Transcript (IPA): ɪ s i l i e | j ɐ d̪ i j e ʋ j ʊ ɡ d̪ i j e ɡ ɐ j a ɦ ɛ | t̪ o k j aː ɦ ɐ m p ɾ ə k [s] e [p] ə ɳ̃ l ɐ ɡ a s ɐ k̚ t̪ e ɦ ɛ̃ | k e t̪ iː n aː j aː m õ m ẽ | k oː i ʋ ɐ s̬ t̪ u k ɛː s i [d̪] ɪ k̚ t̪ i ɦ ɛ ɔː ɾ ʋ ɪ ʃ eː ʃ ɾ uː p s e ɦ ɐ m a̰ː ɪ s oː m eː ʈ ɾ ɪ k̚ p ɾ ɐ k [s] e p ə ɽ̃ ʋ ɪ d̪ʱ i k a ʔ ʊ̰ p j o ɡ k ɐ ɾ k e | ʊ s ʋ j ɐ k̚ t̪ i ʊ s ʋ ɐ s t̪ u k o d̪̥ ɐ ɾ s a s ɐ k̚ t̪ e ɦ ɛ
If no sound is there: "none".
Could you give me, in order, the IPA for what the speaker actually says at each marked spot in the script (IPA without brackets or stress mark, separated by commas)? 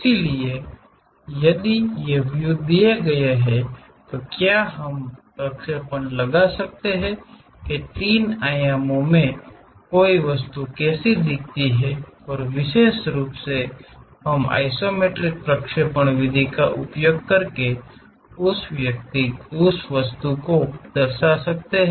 ʃ, p, d̪, ʃ